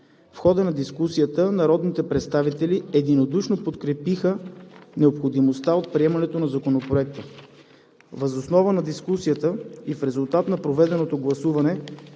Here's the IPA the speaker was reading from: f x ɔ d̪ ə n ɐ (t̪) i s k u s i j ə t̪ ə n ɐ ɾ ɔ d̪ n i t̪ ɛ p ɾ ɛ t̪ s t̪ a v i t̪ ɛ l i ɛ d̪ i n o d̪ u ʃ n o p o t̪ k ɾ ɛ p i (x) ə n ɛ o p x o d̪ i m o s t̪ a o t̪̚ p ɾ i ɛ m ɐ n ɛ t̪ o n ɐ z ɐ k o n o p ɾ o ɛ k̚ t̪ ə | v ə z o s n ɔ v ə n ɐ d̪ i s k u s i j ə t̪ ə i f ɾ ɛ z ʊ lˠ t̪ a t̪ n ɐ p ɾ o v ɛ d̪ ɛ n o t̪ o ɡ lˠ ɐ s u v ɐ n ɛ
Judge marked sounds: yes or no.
no, yes

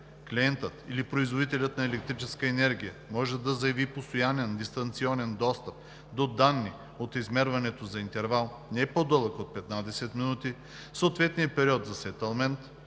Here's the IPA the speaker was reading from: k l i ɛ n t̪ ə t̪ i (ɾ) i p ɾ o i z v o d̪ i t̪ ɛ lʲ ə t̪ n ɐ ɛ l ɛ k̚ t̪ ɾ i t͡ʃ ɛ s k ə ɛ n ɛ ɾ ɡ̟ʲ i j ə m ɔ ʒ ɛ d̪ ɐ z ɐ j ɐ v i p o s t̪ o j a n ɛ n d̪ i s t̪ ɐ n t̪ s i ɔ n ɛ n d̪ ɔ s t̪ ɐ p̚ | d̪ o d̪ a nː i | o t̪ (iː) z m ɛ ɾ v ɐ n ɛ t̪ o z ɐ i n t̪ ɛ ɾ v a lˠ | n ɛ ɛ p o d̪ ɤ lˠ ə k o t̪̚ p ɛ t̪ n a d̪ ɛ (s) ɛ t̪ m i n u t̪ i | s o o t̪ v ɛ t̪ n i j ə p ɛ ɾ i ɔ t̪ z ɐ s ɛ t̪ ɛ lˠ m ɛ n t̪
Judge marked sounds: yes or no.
no, no, yes

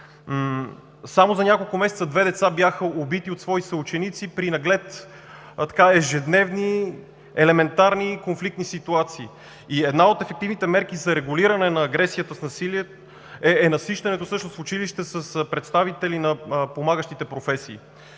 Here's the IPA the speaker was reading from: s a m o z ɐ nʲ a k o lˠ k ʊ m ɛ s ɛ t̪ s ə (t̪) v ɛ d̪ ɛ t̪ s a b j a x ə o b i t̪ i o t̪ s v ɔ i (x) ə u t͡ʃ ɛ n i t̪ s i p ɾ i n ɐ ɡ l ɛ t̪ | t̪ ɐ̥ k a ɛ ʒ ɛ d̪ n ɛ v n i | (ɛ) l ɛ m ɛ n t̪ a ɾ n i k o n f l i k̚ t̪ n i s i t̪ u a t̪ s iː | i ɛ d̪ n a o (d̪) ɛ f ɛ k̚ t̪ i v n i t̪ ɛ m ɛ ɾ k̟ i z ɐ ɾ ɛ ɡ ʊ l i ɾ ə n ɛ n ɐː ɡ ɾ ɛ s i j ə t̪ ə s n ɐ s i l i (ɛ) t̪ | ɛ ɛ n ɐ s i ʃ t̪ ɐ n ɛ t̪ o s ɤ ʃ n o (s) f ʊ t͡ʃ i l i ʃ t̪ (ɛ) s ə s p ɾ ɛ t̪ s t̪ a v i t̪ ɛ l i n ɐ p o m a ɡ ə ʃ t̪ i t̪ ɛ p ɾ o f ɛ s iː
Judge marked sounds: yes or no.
no, no, yes, no, yes, yes, yes

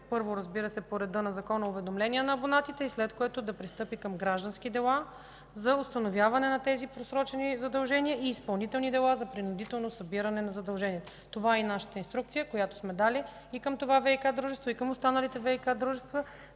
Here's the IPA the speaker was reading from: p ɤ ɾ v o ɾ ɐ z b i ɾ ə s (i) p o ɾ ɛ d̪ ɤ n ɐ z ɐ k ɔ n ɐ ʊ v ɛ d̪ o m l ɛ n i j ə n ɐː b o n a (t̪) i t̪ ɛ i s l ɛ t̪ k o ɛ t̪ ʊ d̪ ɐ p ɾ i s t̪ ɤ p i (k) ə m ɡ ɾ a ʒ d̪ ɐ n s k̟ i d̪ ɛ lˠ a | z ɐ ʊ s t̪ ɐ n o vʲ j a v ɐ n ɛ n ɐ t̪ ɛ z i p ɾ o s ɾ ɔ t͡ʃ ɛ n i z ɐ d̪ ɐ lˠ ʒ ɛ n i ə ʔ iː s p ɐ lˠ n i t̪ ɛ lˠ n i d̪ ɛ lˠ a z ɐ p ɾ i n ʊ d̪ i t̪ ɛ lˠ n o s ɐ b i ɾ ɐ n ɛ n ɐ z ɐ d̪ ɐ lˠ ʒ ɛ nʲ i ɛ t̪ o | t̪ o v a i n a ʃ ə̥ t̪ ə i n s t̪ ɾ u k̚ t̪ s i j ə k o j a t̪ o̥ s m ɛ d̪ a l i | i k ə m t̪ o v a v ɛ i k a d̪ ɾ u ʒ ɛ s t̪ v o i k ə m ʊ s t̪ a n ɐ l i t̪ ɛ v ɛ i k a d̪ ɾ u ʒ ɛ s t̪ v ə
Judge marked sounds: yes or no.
no, yes, yes

